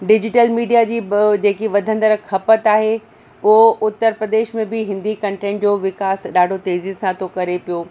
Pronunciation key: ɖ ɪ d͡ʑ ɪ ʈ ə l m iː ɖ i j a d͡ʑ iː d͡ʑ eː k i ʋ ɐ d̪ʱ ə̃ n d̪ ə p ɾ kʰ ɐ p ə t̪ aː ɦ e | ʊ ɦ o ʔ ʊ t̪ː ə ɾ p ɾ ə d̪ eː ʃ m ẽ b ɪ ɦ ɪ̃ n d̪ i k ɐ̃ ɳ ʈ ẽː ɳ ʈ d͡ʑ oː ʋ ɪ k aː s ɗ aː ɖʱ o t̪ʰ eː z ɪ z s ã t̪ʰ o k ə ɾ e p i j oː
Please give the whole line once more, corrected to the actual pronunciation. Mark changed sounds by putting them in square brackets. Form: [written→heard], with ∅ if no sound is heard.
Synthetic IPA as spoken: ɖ ɪ d͡ʑ ɪ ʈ ə l m iː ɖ i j a d͡ʑ iː d͡ʑ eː k i ʋ ɐ d̪ʱ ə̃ n d̪ ə [p→∅] ɾ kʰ ɐ p ə t̪ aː ɦ e | ʊ ɦ o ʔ ʊ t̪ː ə ɾ p ɾ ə d̪ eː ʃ m ẽ b ɪ ɦ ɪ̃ n d̪ i k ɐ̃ ɳ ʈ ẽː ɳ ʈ d͡ʑ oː ʋ ɪ k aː s ɗ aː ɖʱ o [t̪ʰ→t̪] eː z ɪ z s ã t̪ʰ o k [ə→ɐ] ɾ e p i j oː